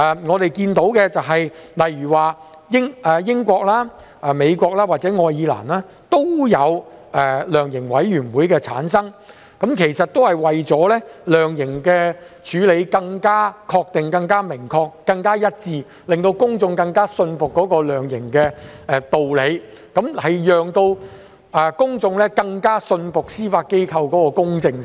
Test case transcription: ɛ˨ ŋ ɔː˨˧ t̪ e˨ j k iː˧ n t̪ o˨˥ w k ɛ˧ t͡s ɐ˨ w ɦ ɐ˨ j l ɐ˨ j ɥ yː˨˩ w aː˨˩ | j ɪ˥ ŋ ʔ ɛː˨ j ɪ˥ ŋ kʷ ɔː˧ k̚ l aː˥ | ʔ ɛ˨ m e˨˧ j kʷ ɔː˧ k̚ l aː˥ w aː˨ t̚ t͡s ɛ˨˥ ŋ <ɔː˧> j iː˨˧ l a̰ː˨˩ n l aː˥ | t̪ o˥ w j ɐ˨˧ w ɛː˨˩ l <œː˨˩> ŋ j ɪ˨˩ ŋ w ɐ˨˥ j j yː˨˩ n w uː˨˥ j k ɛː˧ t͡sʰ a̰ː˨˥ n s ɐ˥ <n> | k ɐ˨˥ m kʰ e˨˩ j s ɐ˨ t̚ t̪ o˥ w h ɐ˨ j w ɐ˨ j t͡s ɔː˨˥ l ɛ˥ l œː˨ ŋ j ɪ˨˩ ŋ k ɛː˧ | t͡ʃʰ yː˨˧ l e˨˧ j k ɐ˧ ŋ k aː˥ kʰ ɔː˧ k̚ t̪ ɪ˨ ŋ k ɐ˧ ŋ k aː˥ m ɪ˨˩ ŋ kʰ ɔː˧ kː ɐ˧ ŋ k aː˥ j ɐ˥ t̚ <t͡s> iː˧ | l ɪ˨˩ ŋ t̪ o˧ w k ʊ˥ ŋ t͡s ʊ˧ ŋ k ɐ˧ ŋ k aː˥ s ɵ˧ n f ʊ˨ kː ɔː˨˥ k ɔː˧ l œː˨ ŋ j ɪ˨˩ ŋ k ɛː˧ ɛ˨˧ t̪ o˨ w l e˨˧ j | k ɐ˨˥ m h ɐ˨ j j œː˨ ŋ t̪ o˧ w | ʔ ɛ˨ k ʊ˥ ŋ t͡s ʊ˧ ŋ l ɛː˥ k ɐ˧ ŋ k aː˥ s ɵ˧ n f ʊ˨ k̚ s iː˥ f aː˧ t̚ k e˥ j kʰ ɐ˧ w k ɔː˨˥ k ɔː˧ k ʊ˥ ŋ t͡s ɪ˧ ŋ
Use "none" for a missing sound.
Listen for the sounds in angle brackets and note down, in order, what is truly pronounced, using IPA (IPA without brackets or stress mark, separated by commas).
ɔː˧, œː˨˩, ŋ, t͡s